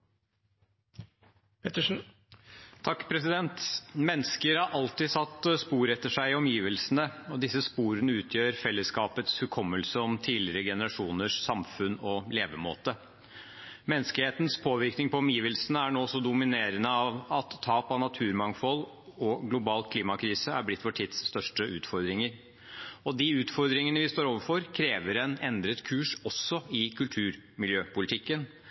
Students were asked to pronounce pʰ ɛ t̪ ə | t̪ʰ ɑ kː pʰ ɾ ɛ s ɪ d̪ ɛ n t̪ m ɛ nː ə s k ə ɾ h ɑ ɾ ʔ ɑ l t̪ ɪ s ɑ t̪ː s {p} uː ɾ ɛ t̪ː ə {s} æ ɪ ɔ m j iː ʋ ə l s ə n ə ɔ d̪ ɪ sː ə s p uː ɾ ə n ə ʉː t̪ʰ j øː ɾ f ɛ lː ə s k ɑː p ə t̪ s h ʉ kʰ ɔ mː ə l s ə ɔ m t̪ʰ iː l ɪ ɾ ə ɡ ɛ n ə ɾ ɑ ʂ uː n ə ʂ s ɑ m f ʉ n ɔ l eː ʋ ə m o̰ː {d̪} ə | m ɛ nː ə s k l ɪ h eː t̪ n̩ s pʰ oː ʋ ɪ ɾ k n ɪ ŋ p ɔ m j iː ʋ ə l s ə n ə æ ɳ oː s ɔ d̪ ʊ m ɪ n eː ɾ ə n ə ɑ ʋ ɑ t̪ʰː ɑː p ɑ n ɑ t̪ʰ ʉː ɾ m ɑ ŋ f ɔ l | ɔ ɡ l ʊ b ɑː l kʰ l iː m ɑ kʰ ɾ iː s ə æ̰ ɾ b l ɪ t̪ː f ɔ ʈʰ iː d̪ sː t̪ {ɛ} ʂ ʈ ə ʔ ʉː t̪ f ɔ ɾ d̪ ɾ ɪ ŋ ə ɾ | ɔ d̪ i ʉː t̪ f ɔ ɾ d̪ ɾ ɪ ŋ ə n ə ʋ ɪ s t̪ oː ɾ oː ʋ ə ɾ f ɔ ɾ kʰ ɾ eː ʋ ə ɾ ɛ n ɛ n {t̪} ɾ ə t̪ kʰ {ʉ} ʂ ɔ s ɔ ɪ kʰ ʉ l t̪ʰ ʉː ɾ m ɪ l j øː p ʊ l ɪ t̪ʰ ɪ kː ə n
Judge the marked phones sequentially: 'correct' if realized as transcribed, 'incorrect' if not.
correct, incorrect: ʂ, incorrect: t̪, incorrect: œ, incorrect: d̪, incorrect: ʉː

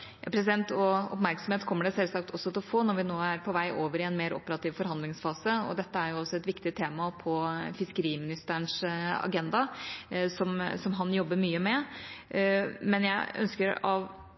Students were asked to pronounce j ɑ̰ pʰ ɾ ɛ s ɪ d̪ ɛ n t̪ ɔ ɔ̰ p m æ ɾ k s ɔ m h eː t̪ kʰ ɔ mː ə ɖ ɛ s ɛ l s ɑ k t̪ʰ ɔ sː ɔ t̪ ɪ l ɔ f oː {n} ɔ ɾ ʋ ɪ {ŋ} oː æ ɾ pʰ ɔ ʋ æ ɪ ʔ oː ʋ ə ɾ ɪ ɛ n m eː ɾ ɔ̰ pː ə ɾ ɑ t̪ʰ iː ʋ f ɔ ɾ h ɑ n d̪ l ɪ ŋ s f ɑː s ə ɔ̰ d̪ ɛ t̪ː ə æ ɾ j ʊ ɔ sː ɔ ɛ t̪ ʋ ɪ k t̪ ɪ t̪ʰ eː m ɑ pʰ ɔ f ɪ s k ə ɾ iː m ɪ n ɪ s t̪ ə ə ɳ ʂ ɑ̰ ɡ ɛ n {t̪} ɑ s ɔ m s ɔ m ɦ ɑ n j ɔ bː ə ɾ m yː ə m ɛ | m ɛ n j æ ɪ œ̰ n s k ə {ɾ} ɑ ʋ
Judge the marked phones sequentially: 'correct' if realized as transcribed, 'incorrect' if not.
correct, incorrect: n, incorrect: d̪, correct

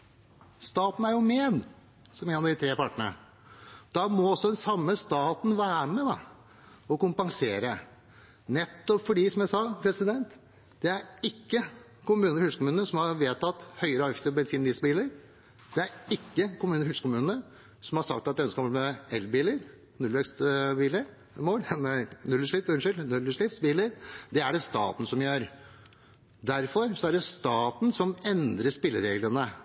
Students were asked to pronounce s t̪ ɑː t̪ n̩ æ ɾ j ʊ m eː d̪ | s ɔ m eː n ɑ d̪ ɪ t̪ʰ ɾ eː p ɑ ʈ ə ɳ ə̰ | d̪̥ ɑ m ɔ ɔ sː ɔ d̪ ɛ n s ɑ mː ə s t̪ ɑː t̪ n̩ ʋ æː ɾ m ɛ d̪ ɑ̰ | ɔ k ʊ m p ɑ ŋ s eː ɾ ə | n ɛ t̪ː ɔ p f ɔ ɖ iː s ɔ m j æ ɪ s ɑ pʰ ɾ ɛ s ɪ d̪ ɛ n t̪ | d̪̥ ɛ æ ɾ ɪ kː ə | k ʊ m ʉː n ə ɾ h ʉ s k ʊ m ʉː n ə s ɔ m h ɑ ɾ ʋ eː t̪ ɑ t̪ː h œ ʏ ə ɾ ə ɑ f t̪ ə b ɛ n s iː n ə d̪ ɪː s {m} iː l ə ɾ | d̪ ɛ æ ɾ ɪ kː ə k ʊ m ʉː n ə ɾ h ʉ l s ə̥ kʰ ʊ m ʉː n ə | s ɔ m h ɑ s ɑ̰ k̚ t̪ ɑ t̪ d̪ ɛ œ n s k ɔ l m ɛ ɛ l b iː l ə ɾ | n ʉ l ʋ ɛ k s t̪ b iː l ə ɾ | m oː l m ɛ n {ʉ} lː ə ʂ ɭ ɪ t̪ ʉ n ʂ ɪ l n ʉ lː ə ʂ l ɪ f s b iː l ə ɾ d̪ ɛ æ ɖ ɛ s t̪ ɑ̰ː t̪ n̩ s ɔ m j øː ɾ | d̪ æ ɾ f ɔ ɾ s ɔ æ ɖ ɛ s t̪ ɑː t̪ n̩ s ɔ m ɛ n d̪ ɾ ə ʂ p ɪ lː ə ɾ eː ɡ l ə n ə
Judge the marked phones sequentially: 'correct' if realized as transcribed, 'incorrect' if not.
incorrect: b, correct

